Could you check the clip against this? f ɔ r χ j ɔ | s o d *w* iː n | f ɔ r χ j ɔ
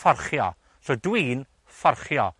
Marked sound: correct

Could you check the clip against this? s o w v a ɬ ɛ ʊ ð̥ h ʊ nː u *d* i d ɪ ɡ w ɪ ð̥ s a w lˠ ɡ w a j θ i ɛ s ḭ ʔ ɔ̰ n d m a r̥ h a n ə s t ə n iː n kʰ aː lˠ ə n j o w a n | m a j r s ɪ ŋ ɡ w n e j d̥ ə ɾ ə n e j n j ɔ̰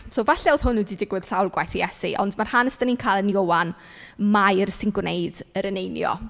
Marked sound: correct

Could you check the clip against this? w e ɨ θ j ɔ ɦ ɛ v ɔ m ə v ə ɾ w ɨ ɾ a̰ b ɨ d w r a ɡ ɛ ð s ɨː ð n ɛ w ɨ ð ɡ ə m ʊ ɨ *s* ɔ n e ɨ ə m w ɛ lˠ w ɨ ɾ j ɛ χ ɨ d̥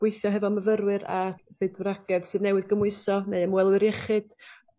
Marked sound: correct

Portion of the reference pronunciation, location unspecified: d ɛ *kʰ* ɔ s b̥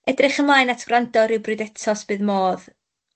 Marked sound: incorrect: tʰ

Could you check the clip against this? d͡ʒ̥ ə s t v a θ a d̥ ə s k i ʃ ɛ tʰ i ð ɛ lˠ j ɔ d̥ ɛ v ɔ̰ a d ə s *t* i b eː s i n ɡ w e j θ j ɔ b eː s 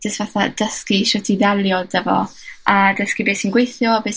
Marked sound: incorrect: k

